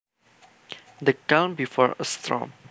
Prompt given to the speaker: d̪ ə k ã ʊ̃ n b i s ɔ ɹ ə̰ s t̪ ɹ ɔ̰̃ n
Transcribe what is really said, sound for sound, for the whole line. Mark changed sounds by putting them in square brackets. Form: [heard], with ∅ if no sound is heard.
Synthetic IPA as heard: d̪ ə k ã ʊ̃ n b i [f] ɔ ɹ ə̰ s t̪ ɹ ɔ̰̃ [m]